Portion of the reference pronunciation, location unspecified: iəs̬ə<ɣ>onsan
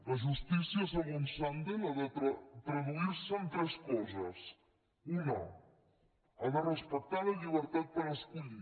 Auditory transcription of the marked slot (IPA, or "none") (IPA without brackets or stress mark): ɣ